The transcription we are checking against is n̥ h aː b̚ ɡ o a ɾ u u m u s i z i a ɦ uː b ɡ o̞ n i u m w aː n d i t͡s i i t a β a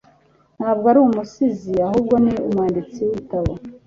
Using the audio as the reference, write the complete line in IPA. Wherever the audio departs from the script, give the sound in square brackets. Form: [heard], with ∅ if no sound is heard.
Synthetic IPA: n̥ h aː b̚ ɡ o a ɾ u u m u s i z i a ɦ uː b ɡ o̞ n i u m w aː n d i t͡s i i t a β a